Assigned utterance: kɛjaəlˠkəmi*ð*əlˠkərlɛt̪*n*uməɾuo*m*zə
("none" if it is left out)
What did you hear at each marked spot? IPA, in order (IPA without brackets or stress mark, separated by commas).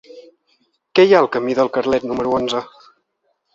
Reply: ð, n, n